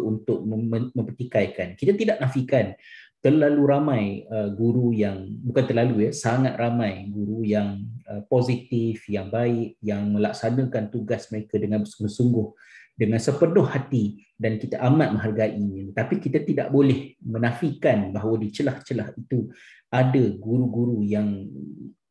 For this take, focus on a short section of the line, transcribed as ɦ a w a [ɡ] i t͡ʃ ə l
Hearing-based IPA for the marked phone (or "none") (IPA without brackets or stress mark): d